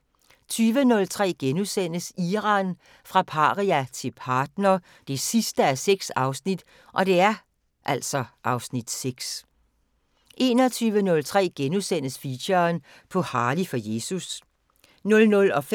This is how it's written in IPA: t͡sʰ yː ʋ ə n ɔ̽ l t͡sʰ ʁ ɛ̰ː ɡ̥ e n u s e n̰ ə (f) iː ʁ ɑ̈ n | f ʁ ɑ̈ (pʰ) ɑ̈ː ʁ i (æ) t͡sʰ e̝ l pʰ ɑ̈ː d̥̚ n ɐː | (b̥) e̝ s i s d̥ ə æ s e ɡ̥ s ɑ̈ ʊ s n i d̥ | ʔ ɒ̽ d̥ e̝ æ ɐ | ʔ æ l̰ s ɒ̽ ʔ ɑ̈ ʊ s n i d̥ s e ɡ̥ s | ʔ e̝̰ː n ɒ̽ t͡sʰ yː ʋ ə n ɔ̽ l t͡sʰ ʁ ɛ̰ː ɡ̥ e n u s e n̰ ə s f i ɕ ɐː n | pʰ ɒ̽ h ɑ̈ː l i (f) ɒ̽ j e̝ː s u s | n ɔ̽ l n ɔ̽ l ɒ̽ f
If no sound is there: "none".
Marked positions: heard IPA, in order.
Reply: s, pʰ, æ, d̥, f

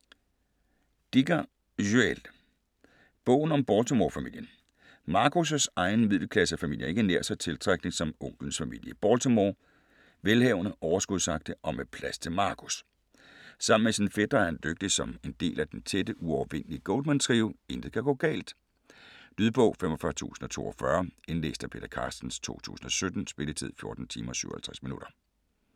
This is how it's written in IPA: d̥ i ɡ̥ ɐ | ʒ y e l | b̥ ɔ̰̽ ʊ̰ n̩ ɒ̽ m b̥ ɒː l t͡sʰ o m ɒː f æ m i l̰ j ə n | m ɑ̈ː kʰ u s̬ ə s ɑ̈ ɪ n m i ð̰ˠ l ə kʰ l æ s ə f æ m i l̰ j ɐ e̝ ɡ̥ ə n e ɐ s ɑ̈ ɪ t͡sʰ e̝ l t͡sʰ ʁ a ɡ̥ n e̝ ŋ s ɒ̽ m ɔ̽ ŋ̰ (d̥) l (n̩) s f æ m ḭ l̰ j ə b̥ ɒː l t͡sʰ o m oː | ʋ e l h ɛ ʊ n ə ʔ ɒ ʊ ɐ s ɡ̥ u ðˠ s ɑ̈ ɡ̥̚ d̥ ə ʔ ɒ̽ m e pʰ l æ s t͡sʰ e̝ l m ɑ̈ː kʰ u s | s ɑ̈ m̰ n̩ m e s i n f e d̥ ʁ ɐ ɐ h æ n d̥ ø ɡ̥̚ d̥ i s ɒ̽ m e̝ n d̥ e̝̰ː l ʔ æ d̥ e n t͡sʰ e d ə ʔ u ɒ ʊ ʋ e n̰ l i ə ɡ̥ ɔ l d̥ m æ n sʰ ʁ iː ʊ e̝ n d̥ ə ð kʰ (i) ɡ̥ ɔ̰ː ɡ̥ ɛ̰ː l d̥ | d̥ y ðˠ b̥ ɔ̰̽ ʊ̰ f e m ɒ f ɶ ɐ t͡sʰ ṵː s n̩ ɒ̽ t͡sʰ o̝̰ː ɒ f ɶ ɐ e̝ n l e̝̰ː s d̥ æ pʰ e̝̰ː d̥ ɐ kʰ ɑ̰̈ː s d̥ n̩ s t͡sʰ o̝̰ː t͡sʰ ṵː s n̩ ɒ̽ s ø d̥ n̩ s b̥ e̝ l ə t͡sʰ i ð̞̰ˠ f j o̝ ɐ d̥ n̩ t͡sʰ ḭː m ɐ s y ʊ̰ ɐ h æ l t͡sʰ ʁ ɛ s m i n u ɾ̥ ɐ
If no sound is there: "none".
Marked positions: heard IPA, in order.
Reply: ɡ̥, n̩, æ

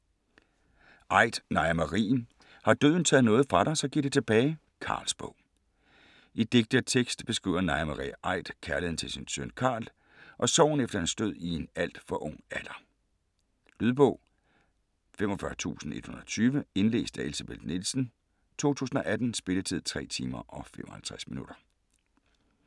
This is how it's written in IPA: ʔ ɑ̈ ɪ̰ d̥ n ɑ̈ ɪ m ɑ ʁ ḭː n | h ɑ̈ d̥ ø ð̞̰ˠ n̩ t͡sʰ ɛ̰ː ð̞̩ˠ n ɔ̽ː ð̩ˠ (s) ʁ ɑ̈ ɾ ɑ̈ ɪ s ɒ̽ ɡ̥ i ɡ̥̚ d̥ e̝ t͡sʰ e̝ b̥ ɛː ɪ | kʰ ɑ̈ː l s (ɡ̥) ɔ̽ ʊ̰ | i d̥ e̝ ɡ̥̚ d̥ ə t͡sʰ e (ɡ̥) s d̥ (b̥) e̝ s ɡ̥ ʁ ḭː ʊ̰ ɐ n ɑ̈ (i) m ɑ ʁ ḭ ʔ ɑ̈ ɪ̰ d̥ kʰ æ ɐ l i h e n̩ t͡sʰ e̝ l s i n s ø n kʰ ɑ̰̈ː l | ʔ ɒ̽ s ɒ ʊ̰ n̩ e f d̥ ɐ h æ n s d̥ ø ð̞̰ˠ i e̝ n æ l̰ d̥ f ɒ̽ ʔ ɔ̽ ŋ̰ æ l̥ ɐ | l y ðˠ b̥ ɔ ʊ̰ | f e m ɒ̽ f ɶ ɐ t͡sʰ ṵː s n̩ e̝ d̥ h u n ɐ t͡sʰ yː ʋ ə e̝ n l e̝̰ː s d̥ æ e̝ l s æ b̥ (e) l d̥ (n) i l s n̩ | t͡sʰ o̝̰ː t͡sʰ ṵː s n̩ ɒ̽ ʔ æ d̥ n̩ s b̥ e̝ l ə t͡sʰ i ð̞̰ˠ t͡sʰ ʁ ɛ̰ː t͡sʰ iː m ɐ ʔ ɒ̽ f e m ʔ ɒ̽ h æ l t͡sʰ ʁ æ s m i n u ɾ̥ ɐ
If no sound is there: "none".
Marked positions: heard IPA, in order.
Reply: f, b̥, ɡ̥, b̥, ɪ, e, n

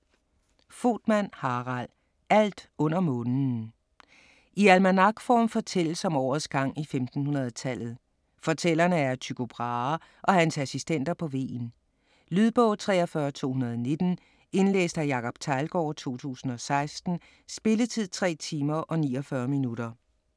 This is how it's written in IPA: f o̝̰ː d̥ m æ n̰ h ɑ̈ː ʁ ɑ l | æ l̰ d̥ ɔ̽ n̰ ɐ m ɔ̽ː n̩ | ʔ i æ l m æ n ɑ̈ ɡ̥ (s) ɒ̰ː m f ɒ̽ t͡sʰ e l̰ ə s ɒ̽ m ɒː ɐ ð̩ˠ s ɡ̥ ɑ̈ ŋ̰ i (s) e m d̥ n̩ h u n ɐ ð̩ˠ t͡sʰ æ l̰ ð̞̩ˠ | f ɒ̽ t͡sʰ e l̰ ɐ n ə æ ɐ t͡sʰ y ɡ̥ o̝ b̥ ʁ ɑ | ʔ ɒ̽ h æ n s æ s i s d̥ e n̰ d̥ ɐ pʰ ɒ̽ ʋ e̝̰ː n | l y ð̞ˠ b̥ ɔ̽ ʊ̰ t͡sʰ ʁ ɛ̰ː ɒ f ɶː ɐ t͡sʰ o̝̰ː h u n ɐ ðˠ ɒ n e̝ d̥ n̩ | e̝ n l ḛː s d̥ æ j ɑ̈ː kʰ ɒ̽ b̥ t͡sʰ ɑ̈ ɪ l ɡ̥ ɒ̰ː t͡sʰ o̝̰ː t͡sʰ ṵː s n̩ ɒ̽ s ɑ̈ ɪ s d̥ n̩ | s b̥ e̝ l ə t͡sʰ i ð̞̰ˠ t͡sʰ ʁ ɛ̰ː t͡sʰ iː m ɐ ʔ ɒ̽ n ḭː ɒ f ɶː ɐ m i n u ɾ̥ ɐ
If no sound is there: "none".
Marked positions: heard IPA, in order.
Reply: f, f

